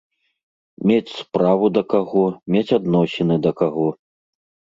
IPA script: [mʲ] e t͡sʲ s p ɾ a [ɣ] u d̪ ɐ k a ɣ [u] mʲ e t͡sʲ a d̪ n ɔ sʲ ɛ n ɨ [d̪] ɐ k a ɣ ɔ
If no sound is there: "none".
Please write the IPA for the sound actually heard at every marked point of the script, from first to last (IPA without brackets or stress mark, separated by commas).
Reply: mʲ, v, ɔ, d̪